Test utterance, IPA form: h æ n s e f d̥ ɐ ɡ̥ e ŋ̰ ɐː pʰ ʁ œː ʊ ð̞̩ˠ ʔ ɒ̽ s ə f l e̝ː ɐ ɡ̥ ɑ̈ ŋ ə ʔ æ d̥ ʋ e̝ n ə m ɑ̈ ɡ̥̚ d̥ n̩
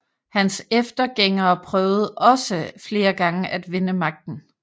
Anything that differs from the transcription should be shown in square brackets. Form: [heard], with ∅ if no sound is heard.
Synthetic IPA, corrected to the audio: h æ n s e f d̥ ɐ ɡ̥ e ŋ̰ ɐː pʰ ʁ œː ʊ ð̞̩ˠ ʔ ɒ̽ s ə f l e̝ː ɐ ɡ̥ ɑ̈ ŋ ə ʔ æ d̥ ʋ e̝ n ə m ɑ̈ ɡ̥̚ d̥ n̩